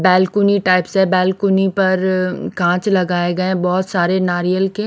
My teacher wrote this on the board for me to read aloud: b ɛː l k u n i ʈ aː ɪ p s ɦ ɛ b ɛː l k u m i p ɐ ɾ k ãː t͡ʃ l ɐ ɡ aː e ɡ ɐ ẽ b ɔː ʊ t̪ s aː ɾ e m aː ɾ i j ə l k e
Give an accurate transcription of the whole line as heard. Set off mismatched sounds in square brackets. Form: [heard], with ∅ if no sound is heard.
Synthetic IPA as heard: b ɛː l k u n i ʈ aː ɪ p s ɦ ɛ b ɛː l k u [n] i p ɐ ɾ k ãː t͡ʃ l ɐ ɡ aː e ɡ ɐ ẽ b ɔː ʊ t̪ s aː ɾ e [n] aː ɾ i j ə l k e